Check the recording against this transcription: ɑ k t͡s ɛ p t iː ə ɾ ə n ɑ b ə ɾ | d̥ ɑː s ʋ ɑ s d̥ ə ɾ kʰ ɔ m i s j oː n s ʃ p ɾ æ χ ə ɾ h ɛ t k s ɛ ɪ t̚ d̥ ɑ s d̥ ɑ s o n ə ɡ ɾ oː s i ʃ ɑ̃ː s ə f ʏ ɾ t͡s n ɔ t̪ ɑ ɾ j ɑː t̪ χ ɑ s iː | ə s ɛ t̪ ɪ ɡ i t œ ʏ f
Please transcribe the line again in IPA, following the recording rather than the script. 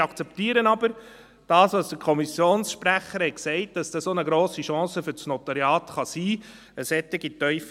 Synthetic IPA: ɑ k t͡s ɛ p t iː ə ɾ ə n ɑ b ə ɾ | d̥ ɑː s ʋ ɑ s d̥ ə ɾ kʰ ɔ m i s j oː n s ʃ p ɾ æ χ ə ɾ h ɛ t k s ɛ ɪ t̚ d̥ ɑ s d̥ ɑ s o n ə ɡ ɾ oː s i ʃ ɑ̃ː s ə f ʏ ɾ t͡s n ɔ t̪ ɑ ɾ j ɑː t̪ χ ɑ s iː | ə s ɛ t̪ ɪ ɡ i t œ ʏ f